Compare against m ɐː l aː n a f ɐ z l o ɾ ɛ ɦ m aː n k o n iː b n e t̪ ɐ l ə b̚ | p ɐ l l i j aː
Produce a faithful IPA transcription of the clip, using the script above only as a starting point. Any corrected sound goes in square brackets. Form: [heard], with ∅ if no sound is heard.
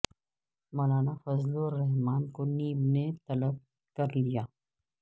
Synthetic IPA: m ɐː l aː n a f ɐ z l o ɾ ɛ ɦ m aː n k o n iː b n e t̪ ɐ l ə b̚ | [k] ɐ [ɾ] l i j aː